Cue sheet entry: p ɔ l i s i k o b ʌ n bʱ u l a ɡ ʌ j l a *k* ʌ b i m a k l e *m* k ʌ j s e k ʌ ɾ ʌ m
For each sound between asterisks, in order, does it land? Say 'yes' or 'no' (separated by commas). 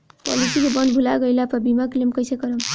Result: no, yes